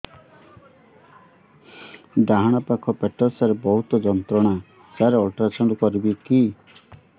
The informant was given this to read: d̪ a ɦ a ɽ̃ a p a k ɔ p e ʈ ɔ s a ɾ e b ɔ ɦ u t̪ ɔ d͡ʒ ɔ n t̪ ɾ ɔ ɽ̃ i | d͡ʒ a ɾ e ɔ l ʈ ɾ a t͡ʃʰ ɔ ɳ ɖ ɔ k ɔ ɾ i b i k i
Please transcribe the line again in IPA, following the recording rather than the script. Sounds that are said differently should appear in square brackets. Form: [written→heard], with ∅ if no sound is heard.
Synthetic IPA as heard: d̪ a ɦ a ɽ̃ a p a [k→kʰ] ɔ p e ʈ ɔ s a ɾ e b ɔ ɦ u t̪ ɔ d͡ʒ ɔ n t̪ ɾ ɔ ɽ̃ [i→a] | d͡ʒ a ɾ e ɔ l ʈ ɾ a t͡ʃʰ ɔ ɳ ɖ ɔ k ɔ ɾ i b i k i